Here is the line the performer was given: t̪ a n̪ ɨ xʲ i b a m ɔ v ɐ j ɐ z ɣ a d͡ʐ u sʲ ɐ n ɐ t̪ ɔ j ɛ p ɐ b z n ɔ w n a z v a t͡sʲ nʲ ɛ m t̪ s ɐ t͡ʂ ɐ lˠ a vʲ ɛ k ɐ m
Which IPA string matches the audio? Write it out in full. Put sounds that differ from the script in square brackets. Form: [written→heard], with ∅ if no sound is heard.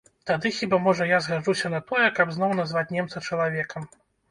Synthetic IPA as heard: t̪ a [n̪→d̪] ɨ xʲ i b a m ɔ [v→ʐ] ɐ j [ɐ→a] z ɣ a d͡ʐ u sʲ ɐ n ɐ t̪ ɔ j ɛ [p→k] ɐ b z n ɔ w n a z v a t͡sʲ nʲ ɛ m t̪ s ɐ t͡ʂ ɐ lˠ a vʲ ɛ k ɐ m